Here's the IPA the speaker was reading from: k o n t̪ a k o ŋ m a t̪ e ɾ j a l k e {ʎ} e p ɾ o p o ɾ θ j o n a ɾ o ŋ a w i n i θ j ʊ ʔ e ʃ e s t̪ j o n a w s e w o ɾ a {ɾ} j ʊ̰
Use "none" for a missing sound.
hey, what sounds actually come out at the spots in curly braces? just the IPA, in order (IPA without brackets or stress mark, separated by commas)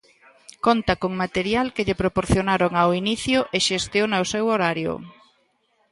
ʎ, ɾ